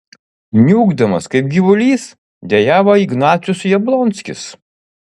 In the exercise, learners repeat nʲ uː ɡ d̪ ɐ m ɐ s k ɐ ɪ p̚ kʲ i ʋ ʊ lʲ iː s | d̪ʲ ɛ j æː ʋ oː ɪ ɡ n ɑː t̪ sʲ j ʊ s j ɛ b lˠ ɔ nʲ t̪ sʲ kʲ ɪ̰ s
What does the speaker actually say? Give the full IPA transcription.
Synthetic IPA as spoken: nʲ uː ɡ d̪ ɐ m ɐ s k ɐ ɪ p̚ ɡʲ i ʋ ʊ lʲ iː s | d̪ʲ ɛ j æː ʋ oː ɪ ɡ n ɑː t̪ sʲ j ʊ s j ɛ b lˠ ɔ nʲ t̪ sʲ kʲ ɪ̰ s